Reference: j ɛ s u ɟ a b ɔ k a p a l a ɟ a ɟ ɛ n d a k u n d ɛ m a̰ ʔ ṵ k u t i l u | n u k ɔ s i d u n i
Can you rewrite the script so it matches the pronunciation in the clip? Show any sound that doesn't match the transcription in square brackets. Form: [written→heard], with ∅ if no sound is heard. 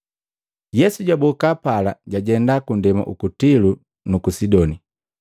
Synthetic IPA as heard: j ɛ s u ɟ a b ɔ k a p a l a ɟ a ɟ ɛ n d a k u n d ɛ m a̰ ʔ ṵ k u t i l u | n u k [ɔ→u] s i d [u→ɔ] n i